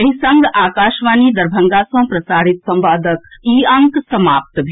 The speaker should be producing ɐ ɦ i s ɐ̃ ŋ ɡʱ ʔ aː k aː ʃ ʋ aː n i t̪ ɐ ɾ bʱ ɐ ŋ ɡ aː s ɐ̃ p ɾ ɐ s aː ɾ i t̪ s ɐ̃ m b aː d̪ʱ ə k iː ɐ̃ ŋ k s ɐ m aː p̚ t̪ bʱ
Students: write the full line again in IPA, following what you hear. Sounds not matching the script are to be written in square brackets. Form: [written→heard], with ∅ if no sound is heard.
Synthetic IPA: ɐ ɦ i s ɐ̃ ŋ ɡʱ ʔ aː k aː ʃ ʋ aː n i [t̪→d̪] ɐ ɾ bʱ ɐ ŋ ɡ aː s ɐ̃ p ɾ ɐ s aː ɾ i t̪ s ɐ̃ m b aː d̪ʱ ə k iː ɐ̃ ŋ k s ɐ m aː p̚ t̪ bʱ